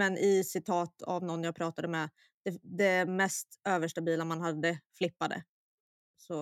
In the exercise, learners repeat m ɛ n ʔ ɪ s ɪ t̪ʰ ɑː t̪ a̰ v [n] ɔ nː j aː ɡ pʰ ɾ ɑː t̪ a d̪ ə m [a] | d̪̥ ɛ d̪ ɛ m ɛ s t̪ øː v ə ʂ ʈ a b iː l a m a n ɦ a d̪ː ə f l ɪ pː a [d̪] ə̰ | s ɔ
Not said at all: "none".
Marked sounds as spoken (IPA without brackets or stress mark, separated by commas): n, ɛ, d̪